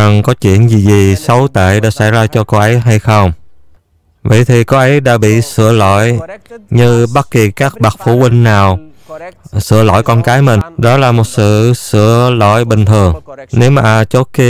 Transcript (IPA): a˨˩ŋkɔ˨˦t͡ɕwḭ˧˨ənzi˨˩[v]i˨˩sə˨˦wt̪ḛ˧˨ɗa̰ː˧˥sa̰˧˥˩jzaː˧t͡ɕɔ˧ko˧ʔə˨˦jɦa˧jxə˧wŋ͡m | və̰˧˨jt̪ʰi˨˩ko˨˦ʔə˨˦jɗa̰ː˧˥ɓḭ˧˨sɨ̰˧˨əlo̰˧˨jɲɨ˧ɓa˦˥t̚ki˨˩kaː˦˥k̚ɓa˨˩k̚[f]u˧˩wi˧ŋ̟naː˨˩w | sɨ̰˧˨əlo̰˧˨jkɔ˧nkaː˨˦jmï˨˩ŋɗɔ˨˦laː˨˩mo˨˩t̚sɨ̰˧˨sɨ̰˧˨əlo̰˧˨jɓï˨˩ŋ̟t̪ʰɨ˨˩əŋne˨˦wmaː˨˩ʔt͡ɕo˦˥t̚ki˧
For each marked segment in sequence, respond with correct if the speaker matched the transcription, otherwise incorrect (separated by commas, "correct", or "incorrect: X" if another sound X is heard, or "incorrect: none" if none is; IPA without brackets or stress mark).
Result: incorrect: z, correct